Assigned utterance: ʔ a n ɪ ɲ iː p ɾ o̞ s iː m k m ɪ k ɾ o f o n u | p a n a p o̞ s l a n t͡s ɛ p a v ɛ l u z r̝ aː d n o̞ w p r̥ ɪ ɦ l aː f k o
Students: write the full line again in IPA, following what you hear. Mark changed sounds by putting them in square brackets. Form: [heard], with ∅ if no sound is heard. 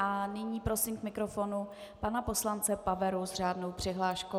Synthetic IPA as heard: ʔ a n ɪ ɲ iː p ɾ o̞ s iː m k m ɪ k ɾ o f o n u | p a n a p o̞ s l a n t͡s ɛ p a v ɛ [ɾ] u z r̝ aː d n o̞ w p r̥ ɪ ɦ l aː [ʃ] k o